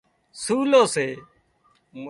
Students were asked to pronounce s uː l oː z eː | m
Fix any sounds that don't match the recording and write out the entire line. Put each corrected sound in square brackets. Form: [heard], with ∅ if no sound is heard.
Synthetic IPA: s uː l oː [s] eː | m